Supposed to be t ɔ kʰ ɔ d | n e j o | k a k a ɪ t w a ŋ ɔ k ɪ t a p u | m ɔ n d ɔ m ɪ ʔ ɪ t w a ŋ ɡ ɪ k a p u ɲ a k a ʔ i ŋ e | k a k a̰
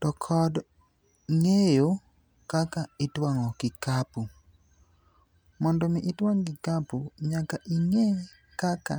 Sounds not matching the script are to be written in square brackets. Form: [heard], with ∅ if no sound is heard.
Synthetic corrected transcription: t ɔ kʰ ɔ d | [ŋ] e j o | k a k a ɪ t w a ŋ ɔ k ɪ [k] a p u | m ɔ n d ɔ m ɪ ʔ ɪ t w a ŋ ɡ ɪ k a p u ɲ a k a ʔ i ŋ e | k a k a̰